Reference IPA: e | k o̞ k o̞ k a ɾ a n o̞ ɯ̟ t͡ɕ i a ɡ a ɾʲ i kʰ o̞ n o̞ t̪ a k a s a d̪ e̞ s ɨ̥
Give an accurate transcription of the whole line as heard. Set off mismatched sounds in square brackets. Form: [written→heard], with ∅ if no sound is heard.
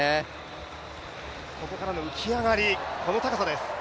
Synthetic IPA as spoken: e | k o̞ k o̞ k a ɾ a n o̞ ɯ̟ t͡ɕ i a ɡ a ɾʲ i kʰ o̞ n o̞ t̪ a k a s a d̪ e̞ s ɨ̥